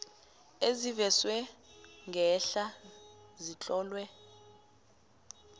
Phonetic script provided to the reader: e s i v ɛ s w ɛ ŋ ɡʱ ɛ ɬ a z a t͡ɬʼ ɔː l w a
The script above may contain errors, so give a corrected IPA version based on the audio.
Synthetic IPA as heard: e z i v ɛ s w ɛ ŋ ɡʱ ɛ ɬ a z i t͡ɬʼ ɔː l w ɛ

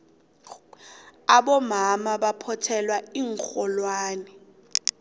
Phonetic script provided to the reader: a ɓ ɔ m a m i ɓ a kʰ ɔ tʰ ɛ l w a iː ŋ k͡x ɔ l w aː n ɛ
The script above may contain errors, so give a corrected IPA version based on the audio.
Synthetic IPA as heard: a ɓ ɔ m a m a ɓ a pʰ ɔ tʰ ɛ l w a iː ŋ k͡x ɔ l w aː n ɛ

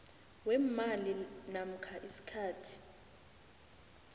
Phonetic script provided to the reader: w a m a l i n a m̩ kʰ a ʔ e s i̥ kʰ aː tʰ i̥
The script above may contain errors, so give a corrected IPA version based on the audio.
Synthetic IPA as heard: w ɛ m a l i n a m̩ kʰ a ʔ i s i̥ kʰ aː tʰ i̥

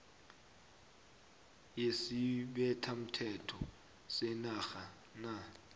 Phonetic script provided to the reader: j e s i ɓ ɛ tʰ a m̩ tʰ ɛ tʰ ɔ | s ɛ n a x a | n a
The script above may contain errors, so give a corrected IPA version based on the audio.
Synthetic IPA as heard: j e s i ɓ ɛ tʰ a m̩ tʰ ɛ tʰ ɔ | s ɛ n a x a | n a

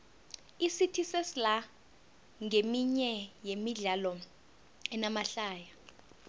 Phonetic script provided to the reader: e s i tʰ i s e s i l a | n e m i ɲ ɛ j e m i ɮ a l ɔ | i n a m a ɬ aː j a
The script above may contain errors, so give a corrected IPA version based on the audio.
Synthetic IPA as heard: i s i tʰ i s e s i l a | ŋ e m i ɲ ɛ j e m i ɮ a l ɔ | ɛ n a m a ɬ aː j a

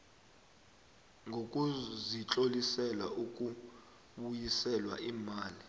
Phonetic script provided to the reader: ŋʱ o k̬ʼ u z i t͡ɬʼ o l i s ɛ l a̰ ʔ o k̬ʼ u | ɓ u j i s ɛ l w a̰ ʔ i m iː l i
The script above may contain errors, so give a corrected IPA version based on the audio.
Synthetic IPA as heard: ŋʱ o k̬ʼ u z i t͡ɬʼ o l i s ɛ l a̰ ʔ u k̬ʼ u | ɓ u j i s ɛ l w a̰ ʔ i m aː l i

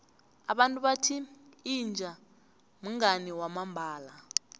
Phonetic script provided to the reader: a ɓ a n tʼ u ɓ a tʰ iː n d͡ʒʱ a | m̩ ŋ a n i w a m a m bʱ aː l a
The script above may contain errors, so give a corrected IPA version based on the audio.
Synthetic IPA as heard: a ɓ a n tʼ u ɓ a tʰ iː n d͡ʒʱ a | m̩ ŋ a n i w a m a m bʱ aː l a

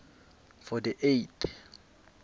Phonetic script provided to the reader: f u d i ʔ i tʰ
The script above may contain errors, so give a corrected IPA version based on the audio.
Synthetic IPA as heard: f ɔ d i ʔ e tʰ

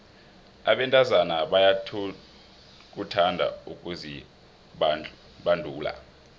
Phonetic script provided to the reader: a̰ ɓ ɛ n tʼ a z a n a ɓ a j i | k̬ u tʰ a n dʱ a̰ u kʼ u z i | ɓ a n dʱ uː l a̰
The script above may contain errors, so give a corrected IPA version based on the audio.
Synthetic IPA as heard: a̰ ɓ ɛ n tʼ a z a n a ɓ a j a | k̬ u tʰ a n dʱ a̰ u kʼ u z i | ɓ a n dʱ uː l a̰

